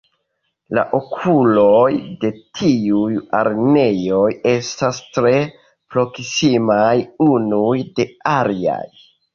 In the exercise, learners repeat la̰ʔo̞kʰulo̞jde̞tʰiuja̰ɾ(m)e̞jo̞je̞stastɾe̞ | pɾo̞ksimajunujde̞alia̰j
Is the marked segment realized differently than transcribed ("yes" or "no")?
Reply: yes